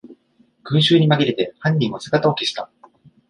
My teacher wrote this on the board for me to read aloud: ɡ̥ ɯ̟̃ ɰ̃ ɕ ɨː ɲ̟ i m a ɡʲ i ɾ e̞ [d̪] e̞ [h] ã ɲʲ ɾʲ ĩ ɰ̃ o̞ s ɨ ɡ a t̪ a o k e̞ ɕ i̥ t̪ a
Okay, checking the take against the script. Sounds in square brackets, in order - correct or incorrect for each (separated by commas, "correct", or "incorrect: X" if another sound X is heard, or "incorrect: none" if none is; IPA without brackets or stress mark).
incorrect: t̪, correct